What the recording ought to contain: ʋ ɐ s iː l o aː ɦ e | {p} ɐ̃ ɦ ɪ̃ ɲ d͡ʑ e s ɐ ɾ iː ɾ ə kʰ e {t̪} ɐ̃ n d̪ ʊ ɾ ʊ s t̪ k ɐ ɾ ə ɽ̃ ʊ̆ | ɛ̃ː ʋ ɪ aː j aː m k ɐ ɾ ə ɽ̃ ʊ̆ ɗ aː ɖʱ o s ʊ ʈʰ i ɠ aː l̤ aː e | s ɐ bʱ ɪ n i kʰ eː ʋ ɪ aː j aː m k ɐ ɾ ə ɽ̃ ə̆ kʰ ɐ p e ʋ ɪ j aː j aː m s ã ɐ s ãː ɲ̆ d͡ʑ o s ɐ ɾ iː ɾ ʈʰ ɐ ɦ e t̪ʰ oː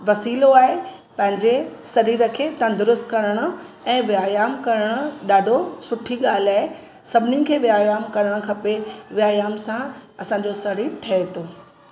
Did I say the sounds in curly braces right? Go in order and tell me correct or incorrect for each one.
correct, correct

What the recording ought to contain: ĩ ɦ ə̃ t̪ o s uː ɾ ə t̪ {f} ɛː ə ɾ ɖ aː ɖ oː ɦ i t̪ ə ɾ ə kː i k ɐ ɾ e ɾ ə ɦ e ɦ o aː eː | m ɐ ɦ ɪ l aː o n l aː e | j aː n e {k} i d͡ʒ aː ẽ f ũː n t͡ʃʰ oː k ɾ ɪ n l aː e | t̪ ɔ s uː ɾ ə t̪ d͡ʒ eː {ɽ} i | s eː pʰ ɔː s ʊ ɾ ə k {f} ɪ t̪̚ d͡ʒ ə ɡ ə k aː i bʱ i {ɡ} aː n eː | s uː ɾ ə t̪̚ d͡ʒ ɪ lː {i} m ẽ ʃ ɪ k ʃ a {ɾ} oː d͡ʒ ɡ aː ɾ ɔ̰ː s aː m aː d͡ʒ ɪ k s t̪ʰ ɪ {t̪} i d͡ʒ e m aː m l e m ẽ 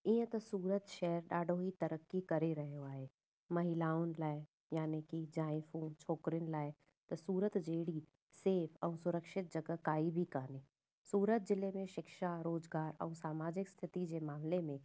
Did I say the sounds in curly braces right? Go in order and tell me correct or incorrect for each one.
incorrect, correct, correct, incorrect, incorrect, incorrect, correct, correct

